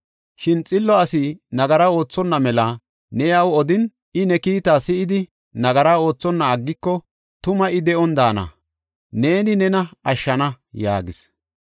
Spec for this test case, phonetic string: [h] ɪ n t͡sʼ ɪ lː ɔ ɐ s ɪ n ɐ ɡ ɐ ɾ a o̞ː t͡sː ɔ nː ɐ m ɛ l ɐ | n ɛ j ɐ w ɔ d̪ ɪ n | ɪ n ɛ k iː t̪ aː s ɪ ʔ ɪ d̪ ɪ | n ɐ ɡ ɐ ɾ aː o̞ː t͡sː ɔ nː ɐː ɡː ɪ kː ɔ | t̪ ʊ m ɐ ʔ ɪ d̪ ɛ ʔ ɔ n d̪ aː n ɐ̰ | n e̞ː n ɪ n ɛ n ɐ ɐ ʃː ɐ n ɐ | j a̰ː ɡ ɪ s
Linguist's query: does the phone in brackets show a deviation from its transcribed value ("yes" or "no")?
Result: yes